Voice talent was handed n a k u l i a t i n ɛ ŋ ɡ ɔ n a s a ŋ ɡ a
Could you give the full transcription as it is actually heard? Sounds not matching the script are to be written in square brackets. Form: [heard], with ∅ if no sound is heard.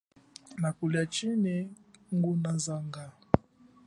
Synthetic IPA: n a k u l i a [t͡ʃ] i n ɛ ŋ ɡ [u] n a [z] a ŋ ɡ a